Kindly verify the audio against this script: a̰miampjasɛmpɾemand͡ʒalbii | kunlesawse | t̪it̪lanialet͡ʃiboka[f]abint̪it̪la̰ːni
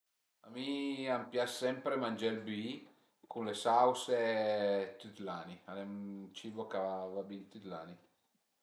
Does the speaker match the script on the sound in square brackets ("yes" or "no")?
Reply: no